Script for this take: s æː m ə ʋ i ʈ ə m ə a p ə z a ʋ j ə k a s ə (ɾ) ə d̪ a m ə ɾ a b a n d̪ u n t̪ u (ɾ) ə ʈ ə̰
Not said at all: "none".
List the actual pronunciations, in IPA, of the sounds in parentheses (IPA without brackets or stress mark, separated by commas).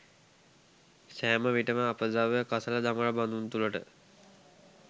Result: l, l